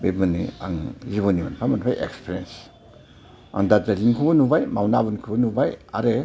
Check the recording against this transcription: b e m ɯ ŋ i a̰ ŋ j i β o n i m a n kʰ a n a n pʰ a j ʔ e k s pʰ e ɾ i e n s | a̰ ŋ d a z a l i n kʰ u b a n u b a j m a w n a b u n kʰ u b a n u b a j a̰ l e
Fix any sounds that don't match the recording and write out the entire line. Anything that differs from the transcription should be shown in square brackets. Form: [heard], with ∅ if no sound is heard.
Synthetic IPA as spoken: b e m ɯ [n] i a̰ ŋ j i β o n i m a n [pʰ] a [m] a n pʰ a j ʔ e k s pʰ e ɾ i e n s | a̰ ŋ d a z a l i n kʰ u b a n u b a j m a w n a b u n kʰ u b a n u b a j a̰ [ɾ] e